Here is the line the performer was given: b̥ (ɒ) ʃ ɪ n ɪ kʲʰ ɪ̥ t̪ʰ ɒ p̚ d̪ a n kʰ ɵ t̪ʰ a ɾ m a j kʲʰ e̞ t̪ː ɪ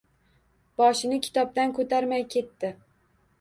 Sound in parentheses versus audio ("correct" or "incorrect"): correct